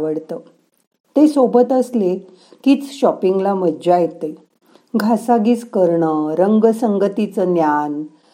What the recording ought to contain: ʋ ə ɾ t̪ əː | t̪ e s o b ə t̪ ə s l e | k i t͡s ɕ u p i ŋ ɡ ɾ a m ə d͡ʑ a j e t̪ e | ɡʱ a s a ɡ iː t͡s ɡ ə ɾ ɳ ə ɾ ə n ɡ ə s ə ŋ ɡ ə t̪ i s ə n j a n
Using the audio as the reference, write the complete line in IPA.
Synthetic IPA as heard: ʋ ə ɽ t̪ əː | t̪ e s o b ə t̪ ə s l e | k i t͡s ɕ ɔ p i ŋ ɡ l a m ə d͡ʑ a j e t̪ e | ɡʱ a s a ɡ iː t͡s k ə ɾ ɳ ə ɾ ə ŋ ɡ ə s ə ŋ ɡ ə t̪ i t͡s ə n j a n